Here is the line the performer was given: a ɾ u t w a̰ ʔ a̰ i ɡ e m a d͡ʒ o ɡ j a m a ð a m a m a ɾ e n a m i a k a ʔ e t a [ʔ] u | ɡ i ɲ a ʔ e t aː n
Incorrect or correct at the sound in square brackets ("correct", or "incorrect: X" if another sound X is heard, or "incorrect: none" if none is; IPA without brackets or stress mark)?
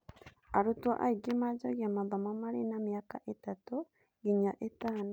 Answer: incorrect: t